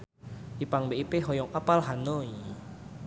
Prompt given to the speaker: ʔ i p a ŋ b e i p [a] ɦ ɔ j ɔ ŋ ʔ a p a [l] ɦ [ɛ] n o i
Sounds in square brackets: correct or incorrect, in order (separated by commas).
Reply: incorrect, correct, incorrect